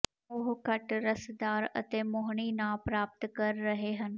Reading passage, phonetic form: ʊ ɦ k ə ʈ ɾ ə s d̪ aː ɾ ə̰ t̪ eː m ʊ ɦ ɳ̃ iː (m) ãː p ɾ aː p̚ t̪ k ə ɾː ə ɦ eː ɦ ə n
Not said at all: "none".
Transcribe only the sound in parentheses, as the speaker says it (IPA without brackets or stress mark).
n